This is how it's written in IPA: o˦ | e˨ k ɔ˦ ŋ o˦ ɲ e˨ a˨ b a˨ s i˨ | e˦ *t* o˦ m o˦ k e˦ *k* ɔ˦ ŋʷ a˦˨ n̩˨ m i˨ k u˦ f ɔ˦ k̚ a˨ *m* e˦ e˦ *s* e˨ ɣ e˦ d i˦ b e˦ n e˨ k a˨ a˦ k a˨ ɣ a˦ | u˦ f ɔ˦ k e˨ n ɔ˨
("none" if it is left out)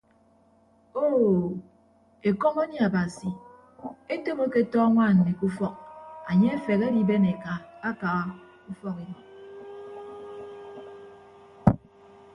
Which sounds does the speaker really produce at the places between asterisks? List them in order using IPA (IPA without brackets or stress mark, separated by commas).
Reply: t, t, ɲ, f